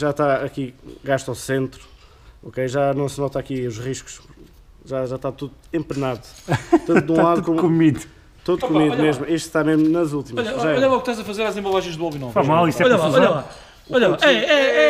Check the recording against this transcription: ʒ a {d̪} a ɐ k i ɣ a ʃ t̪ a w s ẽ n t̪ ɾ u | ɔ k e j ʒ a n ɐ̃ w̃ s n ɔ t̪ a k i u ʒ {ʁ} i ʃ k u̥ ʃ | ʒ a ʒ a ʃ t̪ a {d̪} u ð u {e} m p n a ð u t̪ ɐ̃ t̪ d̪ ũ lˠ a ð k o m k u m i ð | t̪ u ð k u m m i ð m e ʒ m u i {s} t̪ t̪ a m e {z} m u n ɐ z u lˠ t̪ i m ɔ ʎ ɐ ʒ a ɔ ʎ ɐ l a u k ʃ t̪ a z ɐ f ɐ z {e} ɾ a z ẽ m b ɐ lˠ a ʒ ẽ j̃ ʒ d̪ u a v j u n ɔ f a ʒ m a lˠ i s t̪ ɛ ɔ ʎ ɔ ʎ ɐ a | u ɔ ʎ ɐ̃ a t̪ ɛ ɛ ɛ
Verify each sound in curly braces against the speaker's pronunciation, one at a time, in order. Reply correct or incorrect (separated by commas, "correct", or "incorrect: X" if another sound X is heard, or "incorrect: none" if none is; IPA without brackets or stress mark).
incorrect: t̪, correct, incorrect: t̪, incorrect: ẽ, incorrect: ʃ, incorrect: ʒ, correct